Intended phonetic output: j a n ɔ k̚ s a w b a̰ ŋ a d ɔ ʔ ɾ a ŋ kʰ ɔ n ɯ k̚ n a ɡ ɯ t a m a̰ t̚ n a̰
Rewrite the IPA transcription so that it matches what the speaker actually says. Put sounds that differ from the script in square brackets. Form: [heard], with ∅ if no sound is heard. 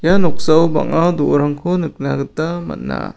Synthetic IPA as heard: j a n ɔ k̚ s a w b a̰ ŋ a d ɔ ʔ ɾ a ŋ kʰ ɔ n ɯ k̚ n a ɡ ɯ t a m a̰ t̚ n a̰